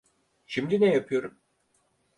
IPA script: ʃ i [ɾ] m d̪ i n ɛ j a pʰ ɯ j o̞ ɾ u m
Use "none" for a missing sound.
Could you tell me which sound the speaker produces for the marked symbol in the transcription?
none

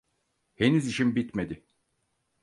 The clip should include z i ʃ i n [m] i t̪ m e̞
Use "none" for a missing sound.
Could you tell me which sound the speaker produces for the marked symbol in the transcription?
b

